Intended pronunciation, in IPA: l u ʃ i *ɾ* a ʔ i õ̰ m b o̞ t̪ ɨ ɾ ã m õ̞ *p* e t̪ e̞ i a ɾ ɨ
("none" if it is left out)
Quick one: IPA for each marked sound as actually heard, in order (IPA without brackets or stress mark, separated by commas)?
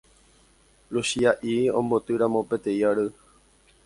none, p